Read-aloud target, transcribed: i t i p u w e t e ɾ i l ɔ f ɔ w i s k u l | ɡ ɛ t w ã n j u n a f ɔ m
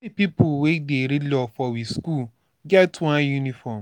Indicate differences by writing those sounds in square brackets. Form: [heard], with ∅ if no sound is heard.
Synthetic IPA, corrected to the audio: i [p] i p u w e [d] e ɾ i l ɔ f ɔ w i s k u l | ɡ ɛ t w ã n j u n [i] f ɔ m